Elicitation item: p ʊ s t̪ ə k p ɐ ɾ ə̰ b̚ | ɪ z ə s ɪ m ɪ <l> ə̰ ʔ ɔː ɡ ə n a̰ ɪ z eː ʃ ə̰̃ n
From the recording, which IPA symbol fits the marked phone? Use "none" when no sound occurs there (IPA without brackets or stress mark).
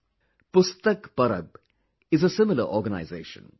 l